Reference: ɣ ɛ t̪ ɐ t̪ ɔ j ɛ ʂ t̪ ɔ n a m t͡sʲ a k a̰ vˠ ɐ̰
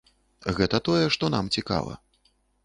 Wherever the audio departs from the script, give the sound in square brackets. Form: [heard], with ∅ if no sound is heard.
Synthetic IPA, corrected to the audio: ɣ ɛ t̪ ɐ t̪ ɔ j ɛ ʂ t̪ ɔ n a m t͡sʲ [i] k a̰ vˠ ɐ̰